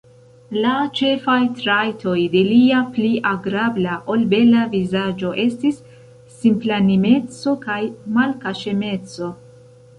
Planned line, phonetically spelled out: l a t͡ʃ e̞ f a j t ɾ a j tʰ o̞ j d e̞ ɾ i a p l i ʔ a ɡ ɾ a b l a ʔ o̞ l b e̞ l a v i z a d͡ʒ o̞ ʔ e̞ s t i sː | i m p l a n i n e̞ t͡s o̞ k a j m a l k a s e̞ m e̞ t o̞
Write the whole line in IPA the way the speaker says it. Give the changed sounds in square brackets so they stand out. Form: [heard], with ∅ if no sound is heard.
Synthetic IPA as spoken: l a t͡ʃ e̞ f a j t ɾ a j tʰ o̞ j d e̞ [l] i a p l i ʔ a ɡ ɾ a b l a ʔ o̞ l b e̞ l a v i z a d͡ʒ o̞ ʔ e̞ s t i sː | i m p l a n i [m] e̞ t͡s o̞ k a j m a l k a [ʃ] e̞ m e̞ [t͡s] o̞